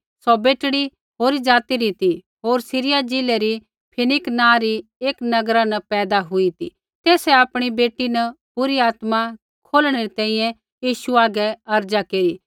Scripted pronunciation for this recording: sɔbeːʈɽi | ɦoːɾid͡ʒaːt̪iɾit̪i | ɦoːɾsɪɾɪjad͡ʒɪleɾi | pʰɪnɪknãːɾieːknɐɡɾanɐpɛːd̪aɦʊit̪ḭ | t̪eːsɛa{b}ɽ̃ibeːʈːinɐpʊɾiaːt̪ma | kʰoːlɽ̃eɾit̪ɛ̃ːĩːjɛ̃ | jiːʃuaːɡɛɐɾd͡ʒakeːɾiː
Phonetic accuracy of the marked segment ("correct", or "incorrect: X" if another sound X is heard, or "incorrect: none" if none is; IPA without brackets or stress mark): incorrect: p